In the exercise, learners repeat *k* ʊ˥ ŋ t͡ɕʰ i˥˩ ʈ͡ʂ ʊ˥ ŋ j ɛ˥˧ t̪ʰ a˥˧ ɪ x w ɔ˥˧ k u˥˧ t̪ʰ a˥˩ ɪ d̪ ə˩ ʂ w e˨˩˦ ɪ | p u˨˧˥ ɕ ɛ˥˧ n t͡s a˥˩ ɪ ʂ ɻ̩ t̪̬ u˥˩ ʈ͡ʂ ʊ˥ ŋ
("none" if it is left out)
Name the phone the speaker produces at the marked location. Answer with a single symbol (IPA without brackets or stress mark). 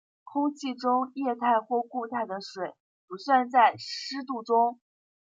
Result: kʰ